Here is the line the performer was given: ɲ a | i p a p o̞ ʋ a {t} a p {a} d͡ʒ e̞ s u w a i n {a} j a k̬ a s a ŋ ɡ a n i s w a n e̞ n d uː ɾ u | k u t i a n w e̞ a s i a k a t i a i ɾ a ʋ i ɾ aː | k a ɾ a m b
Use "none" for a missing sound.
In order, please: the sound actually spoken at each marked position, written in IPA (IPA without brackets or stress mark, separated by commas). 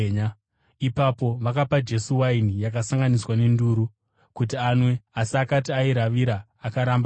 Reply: k, a, i